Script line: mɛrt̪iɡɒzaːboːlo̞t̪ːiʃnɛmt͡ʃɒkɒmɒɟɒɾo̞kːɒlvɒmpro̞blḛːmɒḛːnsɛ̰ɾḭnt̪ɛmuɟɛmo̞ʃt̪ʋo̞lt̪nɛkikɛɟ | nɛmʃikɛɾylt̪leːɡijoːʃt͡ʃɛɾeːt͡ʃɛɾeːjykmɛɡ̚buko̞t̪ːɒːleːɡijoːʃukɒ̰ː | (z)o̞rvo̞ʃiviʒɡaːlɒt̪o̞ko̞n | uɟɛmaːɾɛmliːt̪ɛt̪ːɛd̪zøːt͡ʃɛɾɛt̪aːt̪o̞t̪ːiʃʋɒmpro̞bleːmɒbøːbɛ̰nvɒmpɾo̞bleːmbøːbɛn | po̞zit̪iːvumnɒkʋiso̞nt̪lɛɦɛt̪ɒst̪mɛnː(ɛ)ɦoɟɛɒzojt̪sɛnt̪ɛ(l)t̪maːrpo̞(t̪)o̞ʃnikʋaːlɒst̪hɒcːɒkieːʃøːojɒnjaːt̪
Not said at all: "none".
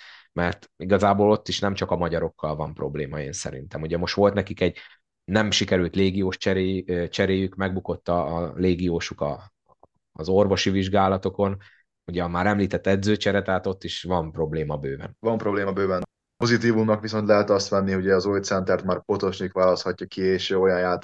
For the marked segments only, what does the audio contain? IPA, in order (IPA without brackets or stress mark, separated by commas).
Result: z, i, r, t̪